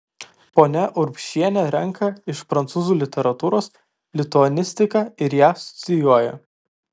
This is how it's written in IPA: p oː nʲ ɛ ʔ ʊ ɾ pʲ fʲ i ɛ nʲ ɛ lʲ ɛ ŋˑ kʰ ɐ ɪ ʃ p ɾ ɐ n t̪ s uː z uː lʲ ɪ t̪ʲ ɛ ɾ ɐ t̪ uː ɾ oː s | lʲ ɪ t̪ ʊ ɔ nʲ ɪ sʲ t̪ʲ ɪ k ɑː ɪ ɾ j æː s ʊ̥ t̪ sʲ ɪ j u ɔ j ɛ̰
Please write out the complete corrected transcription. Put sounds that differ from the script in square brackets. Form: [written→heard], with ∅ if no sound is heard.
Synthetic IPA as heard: p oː nʲ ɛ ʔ ʊ ɾ pʲ [fʲ→ʃʲ] i ɛ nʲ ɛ [lʲ→ɾʲ] ɛ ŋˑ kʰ ɐ ɪ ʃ p ɾ ɐ n t̪ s uː z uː lʲ ɪ t̪ʲ ɛ ɾ ɐ t̪ uː ɾ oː s | lʲ ɪ t̪ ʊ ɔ nʲ ɪ sʲ t̪ʲ ɪ k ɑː ɪ ɾ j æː s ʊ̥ t̪ sʲ ɪ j u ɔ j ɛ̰